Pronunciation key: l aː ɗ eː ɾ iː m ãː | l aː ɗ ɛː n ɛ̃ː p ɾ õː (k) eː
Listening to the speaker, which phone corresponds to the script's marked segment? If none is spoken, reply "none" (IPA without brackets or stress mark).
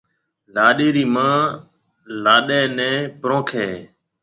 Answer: kʰ